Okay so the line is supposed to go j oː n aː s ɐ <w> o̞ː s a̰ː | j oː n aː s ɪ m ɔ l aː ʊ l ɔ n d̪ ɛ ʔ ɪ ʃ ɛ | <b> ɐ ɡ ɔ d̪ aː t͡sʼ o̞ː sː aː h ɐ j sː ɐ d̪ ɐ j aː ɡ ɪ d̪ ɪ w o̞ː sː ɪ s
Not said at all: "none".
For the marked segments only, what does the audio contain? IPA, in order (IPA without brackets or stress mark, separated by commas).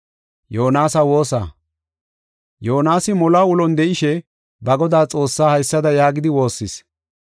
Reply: w, b